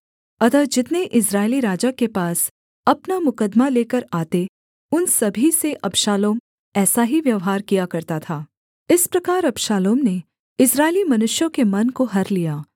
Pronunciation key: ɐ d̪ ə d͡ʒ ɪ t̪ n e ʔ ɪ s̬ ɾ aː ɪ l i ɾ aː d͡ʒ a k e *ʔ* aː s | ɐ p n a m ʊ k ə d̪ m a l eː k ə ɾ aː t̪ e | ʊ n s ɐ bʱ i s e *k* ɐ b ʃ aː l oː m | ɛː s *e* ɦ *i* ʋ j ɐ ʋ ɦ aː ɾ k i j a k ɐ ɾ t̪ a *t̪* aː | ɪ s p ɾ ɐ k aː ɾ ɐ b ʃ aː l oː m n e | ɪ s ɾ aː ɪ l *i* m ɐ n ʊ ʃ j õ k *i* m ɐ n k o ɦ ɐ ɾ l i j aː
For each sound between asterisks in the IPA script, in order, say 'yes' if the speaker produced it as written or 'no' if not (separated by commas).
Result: no, no, no, yes, no, yes, no